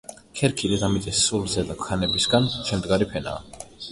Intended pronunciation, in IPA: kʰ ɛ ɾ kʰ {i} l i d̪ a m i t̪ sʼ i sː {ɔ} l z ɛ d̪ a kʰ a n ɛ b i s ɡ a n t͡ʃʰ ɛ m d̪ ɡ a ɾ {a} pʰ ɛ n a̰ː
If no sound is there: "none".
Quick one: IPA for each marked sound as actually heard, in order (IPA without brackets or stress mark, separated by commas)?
i, u, i